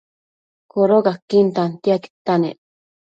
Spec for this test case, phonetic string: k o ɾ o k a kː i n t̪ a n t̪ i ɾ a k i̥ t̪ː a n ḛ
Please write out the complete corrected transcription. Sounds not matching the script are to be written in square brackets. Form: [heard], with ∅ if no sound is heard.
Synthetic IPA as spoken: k o ɾ o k a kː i n t̪ a n t̪ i [∅] a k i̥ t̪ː a n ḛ

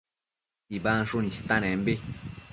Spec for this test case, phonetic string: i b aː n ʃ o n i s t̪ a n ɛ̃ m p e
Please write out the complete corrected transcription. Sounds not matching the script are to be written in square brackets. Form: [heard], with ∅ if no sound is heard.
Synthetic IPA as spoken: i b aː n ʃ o n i s t̪ a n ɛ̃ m [b] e

